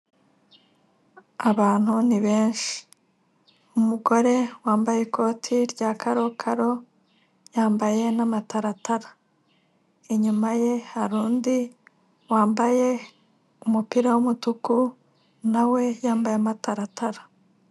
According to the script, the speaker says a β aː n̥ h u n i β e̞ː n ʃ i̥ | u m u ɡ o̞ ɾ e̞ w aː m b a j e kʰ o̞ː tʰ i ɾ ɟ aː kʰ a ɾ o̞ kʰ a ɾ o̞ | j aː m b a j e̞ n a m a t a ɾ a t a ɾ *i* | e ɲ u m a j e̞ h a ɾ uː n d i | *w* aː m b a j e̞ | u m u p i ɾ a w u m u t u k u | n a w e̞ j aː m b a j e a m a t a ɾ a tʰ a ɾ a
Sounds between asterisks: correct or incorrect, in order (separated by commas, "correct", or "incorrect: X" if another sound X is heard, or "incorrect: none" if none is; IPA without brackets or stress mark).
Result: incorrect: a, correct